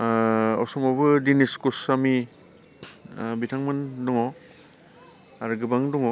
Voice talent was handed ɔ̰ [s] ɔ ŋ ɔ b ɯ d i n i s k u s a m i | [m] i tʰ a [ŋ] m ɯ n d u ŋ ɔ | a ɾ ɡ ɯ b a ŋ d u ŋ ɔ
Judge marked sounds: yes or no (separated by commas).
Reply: yes, no, yes